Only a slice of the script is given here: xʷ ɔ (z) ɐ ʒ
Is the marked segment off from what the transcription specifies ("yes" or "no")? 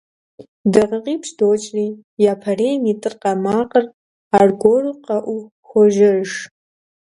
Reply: yes